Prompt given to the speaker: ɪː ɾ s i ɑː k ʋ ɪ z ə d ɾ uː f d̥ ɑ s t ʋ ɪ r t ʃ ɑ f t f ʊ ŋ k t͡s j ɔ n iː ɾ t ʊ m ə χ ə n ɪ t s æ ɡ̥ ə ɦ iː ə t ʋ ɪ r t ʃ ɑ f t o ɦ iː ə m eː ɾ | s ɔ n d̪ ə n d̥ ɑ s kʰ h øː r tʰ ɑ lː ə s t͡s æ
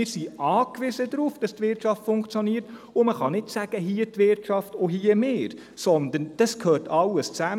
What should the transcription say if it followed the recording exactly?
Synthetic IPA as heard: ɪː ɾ s i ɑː k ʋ ɪ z ə d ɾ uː f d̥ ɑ s t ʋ ɪ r t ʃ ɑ f t f ʊ ŋ k t͡s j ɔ n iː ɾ t ʊ m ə χ ɑ n ɪ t s æ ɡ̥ ə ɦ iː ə t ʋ ɪ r t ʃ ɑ f t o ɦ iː ə m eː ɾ | s ɔ n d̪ ə n d̥ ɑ s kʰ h øː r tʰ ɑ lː ə s t͡s æ